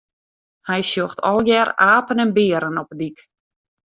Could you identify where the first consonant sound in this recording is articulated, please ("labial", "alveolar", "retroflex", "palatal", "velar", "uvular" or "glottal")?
glottal